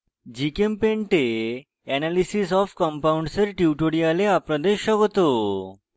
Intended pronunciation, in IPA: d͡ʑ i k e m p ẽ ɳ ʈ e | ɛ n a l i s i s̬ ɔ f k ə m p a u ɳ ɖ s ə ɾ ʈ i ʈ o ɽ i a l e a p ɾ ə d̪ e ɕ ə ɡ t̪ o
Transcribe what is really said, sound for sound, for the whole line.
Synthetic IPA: d͡ʑ i k e m p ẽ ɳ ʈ e | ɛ n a l i s i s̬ ɔ f k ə m p a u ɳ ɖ s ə ɾ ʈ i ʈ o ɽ i a l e a p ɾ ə d̪ e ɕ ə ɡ t̪ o

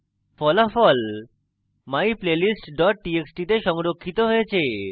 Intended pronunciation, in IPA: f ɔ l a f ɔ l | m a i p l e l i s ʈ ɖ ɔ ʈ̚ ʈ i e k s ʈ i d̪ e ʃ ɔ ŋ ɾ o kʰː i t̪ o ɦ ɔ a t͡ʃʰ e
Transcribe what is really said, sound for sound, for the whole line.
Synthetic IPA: f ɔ l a f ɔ l | m a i p l e l i s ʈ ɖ ɔ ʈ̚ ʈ i e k s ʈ i t̪ e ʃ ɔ ŋ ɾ o kʰː i t̪ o ɦ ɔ e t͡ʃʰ e

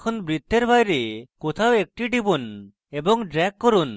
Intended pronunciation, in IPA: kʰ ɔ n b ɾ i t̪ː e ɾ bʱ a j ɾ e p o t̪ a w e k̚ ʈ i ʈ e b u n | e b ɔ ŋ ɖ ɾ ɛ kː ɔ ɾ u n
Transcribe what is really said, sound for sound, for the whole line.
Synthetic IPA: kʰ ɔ n b ɾ i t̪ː e ɾ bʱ a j ɾ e k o t̪ʰ a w e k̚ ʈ i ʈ i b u n | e b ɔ ŋ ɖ ɾ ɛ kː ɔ ɾ u n

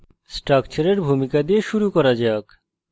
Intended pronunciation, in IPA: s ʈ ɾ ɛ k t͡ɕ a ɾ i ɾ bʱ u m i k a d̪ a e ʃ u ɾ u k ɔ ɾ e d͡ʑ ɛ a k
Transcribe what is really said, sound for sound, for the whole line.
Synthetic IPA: s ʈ ɾ a k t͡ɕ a ɾ e ɾ bʱ u m i k a d̪ i e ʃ u ɾ u k ɔ ɾ a d͡ʑ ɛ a k

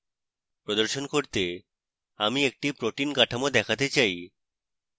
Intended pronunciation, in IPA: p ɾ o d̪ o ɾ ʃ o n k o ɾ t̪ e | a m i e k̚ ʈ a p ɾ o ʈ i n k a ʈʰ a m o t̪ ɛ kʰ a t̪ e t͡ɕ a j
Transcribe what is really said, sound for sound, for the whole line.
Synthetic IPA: p ɾ o d̪ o ɾ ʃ o n k o ɾ t̪ e | a m i e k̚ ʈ i p ɾ o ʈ i n k a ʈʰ a m o d̪ ɛ kʰ a t̪ e t͡ɕ a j

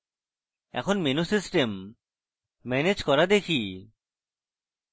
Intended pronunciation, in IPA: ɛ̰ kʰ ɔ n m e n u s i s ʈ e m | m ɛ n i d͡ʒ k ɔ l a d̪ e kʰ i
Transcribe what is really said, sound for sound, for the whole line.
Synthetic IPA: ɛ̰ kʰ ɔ n m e n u s i s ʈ e m | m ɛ n e d͡ʒ k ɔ ɾ a d̪ e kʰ i

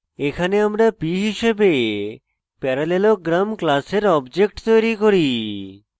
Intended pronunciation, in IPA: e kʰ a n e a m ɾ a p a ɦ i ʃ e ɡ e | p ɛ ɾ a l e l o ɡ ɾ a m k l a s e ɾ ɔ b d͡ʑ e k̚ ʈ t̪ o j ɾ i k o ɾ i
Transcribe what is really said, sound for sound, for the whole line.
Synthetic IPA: e kʰ a n e a m ɾ a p i ɦ i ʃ e b e | p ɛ ɾ a l e l o ɡ ɾ a m k l a s e ɾ ɔ b d͡ʑ e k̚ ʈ t̪ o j ɾ i k o ɾ i

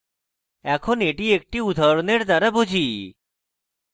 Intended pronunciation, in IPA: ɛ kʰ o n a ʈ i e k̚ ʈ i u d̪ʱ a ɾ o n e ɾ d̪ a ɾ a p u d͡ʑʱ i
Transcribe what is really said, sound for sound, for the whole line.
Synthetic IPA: ɛ kʰ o n e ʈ i e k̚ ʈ i u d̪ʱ a ɾ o n e ɾ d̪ a ɾ a b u d͡ʑʱ i

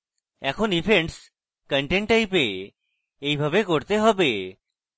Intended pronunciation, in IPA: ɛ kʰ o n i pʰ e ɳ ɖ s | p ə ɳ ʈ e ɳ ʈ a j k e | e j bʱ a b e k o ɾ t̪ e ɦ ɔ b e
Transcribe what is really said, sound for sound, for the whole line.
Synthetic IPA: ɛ kʰ o n i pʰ e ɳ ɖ s | k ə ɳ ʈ e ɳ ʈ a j p e | e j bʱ a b e k o ɾ t̪ e ɦ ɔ b e

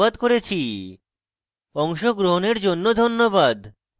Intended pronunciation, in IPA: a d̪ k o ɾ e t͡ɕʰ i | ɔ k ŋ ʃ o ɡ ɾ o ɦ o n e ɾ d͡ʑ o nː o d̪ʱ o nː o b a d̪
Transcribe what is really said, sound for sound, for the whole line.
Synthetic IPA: a d̪ k o ɾ e t͡ɕʰ i | ɔ ŋ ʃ o ɡ ɾ o ɦ o n e ɾ d͡ʑ o nː o d̪ʱ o nː o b a d̪

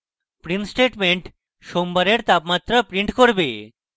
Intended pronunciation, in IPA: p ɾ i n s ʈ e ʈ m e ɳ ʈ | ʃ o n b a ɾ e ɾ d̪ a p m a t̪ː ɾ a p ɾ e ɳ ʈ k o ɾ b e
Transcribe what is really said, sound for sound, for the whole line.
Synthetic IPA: p ɾ i n s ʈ e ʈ m e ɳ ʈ | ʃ o m b a ɾ e ɾ t̪ a p m a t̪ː ɾ a p ɾ i ɳ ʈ k o ɾ b e

